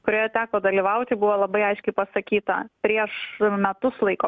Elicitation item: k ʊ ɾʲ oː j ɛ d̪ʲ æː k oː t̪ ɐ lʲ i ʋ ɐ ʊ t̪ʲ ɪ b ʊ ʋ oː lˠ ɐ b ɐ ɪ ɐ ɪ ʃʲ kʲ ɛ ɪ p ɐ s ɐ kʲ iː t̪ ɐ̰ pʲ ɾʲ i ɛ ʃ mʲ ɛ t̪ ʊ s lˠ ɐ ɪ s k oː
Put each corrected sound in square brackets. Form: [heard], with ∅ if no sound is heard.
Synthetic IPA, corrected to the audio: k ʊ ɾʲ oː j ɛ [t̪ʲ] æː k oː [d̪] ɐ lʲ i ʋ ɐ ʊ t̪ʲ ɪ b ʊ ʋ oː lˠ ɐ b ɐ ɪ ɐ ɪ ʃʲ kʲ ɛ ɪ p ɐ s ɐ kʲ iː t̪ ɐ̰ pʲ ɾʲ i ɛ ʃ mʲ ɛ t̪ ʊ s lˠ ɐ ɪ [∅] k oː